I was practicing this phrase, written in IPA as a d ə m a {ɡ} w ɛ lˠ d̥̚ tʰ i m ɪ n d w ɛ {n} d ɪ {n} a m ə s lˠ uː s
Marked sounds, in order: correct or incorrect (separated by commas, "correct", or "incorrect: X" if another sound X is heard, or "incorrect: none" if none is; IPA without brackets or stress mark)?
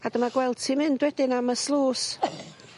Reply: correct, incorrect: none, correct